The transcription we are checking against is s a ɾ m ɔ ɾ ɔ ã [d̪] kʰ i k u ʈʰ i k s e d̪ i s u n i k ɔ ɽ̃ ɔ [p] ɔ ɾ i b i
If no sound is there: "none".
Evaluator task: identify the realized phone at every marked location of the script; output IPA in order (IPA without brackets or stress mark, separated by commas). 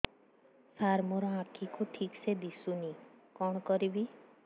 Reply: none, k